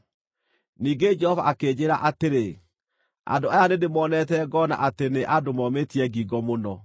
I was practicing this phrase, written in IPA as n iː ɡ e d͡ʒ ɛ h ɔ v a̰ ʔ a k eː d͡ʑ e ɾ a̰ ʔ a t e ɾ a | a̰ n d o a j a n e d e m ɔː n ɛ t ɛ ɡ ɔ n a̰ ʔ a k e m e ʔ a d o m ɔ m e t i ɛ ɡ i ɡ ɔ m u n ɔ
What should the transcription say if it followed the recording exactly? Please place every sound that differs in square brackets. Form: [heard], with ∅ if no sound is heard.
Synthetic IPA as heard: n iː ɡ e d͡ʒ ɛ h ɔ v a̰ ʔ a k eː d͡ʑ e ɾ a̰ ʔ a t e ɾ [e] | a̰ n d o a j a n e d e m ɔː n ɛ t ɛ ɡ ɔ n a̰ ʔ a [t] e [n] e ʔ a d o m ɔ m e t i ɛ ɡ i ɡ ɔ m [o] n ɔ